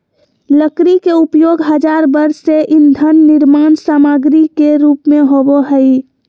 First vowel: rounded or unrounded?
unrounded